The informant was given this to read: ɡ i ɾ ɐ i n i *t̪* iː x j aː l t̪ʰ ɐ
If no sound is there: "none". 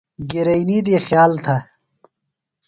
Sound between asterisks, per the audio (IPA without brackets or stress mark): d̪